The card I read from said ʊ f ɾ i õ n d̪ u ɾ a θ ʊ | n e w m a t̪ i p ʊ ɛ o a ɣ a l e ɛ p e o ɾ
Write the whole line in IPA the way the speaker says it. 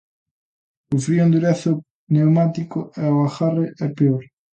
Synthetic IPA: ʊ f ɾ i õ n d̪ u ɾ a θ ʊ | n e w m a t̪ i k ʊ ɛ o a x a r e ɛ p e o ɾ